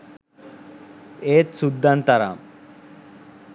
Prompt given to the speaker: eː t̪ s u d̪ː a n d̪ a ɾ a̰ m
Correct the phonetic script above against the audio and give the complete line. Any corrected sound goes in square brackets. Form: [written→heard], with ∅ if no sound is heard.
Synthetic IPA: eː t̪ s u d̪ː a n [d̪→t̪] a ɾ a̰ m